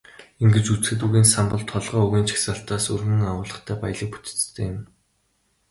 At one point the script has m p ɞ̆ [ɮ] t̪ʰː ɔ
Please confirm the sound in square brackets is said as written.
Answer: yes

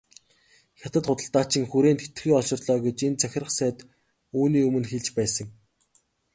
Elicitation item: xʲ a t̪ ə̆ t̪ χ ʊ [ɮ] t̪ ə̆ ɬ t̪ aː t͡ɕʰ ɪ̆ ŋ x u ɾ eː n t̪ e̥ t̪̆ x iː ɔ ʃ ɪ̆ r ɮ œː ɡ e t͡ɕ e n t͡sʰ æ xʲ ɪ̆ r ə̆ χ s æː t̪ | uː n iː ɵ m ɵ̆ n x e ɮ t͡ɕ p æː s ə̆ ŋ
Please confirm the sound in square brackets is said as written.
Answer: no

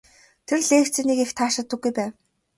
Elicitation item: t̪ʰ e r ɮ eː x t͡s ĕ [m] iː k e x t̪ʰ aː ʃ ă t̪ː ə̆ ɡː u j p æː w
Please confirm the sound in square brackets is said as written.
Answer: no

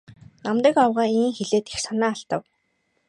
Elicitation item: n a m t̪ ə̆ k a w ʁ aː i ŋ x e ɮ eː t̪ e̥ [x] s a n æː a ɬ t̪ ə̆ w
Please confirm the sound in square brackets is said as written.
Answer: yes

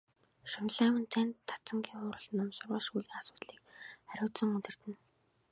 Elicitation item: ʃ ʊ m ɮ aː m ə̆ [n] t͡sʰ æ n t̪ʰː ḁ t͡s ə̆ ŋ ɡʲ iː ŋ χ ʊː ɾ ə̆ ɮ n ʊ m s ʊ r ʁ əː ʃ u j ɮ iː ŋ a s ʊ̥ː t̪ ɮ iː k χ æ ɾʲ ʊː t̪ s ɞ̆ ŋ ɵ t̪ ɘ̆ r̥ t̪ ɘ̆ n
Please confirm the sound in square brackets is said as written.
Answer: yes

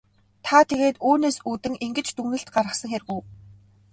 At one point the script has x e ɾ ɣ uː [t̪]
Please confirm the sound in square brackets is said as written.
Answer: no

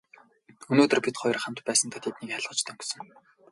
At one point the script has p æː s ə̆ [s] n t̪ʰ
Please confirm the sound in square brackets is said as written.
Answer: no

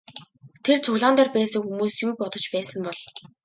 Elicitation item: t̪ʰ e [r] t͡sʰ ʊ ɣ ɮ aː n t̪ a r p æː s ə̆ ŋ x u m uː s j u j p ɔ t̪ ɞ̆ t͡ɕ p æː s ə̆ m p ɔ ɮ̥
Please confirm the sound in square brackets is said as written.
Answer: yes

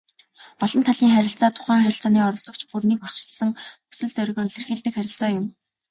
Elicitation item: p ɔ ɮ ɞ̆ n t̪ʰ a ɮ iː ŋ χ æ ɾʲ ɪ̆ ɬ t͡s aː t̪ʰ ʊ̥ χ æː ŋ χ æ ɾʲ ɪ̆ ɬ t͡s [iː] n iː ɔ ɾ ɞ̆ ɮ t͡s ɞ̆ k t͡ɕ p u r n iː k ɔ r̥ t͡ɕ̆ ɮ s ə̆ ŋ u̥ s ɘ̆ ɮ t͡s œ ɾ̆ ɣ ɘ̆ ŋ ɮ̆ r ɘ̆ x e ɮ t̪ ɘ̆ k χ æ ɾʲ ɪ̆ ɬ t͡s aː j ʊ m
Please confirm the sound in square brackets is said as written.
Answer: no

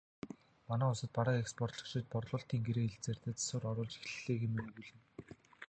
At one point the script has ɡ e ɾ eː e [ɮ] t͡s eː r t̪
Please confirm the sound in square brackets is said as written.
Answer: yes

